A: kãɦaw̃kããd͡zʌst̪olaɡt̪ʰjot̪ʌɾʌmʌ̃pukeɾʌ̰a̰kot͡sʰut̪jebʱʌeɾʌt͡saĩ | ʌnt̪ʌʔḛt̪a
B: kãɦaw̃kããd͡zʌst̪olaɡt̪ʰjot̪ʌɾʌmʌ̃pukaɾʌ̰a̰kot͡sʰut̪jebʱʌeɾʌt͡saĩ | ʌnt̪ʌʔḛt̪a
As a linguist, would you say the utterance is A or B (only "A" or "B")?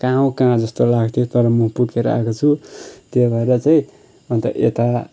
A